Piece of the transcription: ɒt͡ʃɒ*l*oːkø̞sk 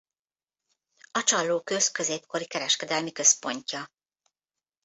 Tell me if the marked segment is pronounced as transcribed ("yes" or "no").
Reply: no